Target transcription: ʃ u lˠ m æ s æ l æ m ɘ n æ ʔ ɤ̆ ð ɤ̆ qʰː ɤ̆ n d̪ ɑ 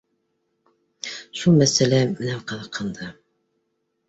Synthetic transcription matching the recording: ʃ u lˠ m æ s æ l æ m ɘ n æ q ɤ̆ ð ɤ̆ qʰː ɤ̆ n d̪ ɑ